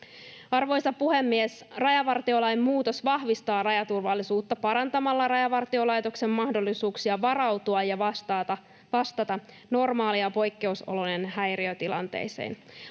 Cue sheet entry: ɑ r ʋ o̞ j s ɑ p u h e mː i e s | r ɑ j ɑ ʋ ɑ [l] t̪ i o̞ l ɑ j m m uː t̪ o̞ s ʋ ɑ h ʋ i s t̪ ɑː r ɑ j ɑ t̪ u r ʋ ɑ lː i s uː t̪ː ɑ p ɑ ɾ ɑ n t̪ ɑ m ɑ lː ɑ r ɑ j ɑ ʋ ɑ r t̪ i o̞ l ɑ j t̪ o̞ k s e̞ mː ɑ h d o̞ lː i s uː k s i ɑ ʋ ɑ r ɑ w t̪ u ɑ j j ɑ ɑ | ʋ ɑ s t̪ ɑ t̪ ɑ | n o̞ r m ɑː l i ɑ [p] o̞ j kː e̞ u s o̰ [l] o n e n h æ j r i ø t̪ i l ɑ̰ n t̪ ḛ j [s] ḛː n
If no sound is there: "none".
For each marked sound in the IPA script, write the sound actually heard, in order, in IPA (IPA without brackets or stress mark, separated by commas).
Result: r, p, l, s